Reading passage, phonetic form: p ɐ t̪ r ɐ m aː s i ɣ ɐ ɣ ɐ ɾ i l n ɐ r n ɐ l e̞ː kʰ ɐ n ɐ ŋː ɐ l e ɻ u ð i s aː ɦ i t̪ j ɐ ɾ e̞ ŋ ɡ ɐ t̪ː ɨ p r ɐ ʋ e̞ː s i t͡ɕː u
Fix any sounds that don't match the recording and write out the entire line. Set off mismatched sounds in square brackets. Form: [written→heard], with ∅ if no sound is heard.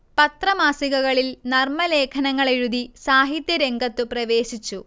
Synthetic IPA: p ɐ t̪ r ɐ m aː s i ɣ ɐ ɣ ɐ [ɾ→ɭ] i l n ɐ r [n→m] ɐ l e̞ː kʰ ɐ n ɐ ŋː ɐ [l→ɭ] e ɻ u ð i s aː ɦ i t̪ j ɐ ɾ e̞ ŋ ɡ ɐ t̪ː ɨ p r ɐ ʋ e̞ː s i t͡ɕː u